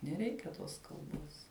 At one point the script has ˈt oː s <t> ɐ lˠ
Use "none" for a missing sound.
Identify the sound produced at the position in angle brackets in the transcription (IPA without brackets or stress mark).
k